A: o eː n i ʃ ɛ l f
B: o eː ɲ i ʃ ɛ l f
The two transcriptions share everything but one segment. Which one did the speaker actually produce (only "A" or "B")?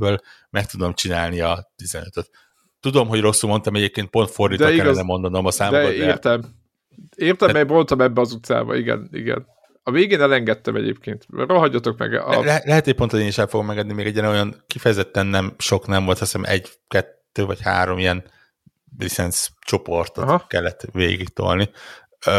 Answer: A